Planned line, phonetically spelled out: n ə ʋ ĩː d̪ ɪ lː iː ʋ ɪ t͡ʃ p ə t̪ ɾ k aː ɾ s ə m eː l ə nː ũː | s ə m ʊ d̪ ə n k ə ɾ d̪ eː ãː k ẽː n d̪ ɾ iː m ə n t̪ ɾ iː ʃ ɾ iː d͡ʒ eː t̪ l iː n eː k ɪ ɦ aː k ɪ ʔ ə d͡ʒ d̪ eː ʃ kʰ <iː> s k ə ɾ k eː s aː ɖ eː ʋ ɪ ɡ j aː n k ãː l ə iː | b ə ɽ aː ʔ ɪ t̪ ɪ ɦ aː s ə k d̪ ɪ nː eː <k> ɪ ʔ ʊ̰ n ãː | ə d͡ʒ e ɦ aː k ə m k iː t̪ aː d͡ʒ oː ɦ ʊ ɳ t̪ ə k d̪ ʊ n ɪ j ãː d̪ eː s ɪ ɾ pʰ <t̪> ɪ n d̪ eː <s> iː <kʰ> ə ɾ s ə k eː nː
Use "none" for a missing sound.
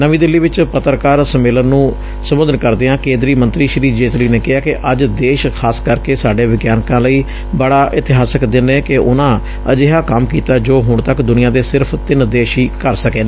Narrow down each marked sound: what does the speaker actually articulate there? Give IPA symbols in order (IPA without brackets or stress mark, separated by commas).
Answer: aː, k, t̪, ʃ, k